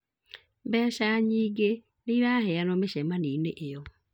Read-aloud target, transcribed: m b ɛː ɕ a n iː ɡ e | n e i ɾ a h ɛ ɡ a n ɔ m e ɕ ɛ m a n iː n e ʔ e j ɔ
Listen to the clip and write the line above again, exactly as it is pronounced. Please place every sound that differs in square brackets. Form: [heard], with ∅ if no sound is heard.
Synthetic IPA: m b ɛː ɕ a [ɲ] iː ɡ e | n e i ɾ a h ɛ [∅] a n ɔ m e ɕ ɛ m a n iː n e ʔ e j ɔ